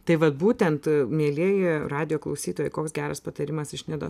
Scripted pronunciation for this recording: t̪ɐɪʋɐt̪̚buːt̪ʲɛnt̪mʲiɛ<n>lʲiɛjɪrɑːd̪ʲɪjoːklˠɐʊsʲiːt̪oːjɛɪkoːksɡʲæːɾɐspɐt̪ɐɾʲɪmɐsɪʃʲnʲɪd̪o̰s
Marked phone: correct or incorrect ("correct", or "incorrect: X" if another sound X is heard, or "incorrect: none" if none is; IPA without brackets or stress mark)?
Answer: incorrect: none